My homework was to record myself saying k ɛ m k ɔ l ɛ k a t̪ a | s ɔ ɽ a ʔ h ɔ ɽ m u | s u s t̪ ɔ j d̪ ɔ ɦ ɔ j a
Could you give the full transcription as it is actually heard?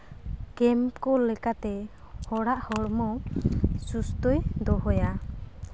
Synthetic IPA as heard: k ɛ m k ɔ l ɛ k a t̪ ɛ | h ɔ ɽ a ʔ h ɔ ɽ m ɔ | s u s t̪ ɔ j d̪ ɔ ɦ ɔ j a